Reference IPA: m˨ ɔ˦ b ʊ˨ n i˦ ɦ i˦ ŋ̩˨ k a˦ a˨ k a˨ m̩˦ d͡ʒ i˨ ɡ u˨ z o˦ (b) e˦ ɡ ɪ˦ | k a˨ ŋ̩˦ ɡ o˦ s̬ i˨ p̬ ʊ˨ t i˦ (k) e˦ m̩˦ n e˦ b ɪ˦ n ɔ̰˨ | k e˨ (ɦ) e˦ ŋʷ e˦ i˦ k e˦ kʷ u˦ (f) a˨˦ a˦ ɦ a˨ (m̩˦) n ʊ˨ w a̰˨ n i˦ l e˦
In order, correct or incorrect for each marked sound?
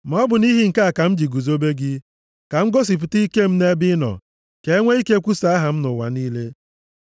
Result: correct, correct, incorrect, incorrect, correct

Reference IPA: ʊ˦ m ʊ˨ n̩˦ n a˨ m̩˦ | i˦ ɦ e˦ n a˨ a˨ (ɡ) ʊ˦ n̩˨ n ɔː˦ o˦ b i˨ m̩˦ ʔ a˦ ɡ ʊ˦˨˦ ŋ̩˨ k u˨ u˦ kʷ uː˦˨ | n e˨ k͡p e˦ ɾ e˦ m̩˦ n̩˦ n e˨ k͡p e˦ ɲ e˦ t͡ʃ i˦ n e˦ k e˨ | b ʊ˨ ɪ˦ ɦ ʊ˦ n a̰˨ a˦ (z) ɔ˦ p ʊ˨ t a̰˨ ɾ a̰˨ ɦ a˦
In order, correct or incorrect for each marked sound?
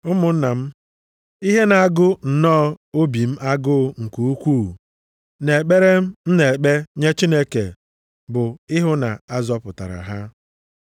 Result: correct, correct

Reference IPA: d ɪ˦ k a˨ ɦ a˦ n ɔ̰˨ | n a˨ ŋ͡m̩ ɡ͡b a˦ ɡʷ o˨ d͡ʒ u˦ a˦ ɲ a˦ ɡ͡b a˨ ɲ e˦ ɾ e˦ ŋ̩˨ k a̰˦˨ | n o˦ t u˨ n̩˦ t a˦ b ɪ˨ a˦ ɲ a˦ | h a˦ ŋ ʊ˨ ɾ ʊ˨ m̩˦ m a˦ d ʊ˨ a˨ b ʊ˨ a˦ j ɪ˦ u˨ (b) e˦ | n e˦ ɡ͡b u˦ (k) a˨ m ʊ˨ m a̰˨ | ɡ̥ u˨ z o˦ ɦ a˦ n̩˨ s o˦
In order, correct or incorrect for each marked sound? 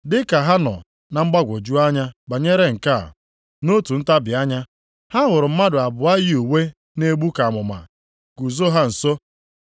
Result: incorrect, correct

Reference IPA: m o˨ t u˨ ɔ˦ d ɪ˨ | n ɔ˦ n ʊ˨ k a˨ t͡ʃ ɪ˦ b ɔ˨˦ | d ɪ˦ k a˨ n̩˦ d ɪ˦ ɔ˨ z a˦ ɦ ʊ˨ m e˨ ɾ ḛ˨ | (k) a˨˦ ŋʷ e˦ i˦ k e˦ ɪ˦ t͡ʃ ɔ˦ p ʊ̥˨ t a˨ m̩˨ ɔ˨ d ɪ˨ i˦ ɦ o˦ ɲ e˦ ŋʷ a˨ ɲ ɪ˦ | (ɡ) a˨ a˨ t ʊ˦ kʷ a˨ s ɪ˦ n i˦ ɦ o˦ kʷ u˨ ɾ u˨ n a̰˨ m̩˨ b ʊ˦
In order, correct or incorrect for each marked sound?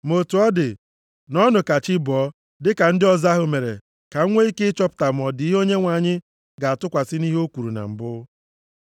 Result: correct, correct

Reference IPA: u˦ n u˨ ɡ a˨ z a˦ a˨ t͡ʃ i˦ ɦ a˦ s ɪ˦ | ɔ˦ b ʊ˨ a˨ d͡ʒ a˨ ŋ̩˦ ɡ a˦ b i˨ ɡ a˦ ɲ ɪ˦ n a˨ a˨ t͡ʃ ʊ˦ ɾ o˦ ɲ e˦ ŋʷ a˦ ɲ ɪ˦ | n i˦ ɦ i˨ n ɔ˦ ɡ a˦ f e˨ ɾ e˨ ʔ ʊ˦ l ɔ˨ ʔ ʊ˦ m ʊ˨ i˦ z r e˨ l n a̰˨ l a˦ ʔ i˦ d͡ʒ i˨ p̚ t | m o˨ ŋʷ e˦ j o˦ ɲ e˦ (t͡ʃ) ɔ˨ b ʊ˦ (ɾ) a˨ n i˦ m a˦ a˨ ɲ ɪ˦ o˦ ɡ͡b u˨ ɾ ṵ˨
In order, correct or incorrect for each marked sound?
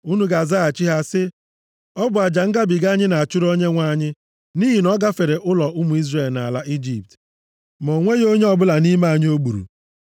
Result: incorrect, incorrect

